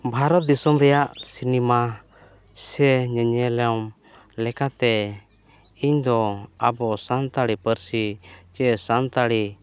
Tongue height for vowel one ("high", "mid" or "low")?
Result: low